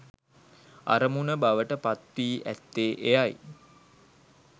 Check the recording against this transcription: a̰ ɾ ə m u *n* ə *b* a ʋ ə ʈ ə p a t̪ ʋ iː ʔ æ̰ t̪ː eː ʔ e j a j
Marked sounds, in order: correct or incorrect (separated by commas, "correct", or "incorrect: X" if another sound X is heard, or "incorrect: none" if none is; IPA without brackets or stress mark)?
correct, correct